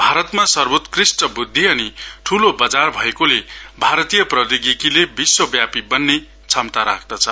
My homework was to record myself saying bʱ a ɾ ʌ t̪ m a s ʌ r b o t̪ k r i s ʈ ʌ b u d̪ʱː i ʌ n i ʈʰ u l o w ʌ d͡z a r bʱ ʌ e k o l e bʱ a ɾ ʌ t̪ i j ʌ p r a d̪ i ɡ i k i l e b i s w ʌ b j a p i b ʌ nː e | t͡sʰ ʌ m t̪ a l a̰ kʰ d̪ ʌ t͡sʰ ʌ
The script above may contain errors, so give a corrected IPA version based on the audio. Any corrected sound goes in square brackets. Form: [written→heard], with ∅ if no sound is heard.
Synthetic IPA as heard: bʱ a ɾ ʌ t̪ m a s ʌ r b o t̪ k r i s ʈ ʌ b u d̪ʱː i ʌ n i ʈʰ u l o [w→b] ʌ d͡z a r bʱ ʌ e k o l e bʱ a ɾ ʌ t̪ i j ʌ p r [a→ʌ] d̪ i ɡ i k i l e b i s w ʌ b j a p i b ʌ nː e | t͡sʰ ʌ m t̪ a [l→ɾ] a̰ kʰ d̪ ʌ t͡sʰ ʌ

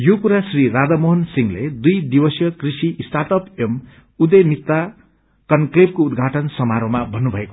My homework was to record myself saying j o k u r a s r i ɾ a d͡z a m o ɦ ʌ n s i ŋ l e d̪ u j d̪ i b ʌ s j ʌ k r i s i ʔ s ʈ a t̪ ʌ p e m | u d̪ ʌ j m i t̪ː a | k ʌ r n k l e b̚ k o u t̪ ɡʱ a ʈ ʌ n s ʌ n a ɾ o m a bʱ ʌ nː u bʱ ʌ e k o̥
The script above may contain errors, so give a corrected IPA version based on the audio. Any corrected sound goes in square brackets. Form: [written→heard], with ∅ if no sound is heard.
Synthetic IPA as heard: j o k u [r→ɾ] a s r i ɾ a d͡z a m o ɦ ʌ n s i ŋ l e d̪ u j d̪ i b ʌ s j ʌ k r i s i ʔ s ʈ a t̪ ʌ p e m | u d̪ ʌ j m i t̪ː a | k ʌ [r→∅] n k l e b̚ k o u [t̪→d̪] ɡʱ a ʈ ʌ n s ʌ [n→m] a ɾ o m a bʱ ʌ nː u bʱ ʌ e k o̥

